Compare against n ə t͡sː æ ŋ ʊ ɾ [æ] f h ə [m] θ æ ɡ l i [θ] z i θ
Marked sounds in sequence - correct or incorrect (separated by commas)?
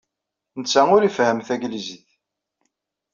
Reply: incorrect, correct, incorrect